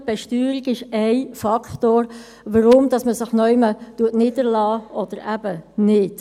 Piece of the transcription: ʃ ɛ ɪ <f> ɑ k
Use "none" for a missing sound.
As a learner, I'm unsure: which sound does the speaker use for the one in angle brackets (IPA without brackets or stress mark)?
f